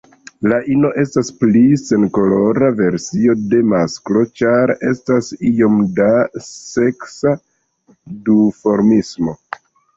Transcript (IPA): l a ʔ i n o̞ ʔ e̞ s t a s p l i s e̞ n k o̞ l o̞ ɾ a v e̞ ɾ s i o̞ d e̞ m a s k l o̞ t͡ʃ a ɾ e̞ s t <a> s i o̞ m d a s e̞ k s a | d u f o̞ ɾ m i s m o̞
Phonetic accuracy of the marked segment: correct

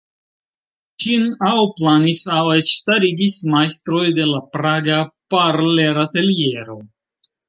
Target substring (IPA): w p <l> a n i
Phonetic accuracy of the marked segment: correct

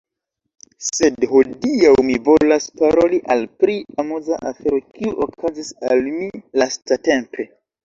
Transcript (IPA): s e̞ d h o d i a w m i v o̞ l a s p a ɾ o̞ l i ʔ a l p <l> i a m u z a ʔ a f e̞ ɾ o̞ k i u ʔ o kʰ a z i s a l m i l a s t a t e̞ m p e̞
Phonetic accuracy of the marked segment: incorrect: ɾ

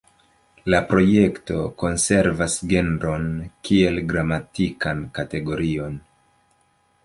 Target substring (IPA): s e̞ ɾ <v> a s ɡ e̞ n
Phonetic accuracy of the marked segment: correct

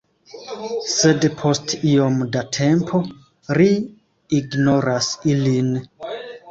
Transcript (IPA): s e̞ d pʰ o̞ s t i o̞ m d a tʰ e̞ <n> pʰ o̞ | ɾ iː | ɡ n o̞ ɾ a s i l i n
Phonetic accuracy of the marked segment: incorrect: m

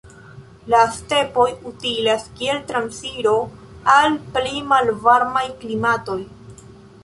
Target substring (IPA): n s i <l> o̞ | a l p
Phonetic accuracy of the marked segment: incorrect: ɾ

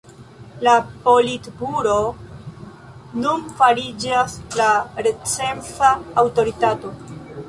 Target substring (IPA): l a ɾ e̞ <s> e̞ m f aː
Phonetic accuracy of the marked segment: incorrect: t͡s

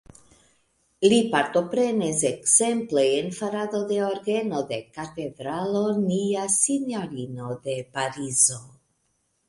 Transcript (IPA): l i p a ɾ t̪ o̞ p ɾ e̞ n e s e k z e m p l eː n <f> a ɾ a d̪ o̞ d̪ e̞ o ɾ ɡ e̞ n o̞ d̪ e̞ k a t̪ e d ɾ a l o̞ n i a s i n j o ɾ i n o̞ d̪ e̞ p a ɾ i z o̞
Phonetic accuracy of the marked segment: correct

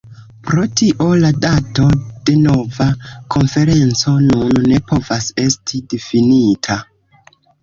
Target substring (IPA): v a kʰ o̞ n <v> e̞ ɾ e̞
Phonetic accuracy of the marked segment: incorrect: f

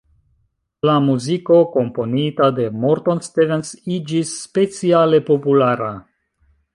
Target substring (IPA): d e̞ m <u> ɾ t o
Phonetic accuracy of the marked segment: incorrect: o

